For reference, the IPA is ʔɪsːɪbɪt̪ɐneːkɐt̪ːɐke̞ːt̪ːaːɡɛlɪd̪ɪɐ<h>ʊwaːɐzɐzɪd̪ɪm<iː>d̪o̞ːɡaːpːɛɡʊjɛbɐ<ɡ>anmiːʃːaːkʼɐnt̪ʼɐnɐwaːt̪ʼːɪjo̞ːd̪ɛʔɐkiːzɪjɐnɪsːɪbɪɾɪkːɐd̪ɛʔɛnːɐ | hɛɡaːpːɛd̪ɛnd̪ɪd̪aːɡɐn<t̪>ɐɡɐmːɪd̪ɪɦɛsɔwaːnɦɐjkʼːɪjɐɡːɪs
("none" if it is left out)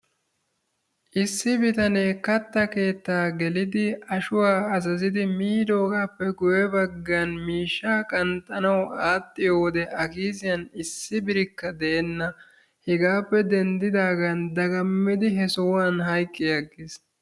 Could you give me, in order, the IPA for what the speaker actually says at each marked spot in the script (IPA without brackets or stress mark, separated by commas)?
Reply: ʃ, iː, ɡː, d̪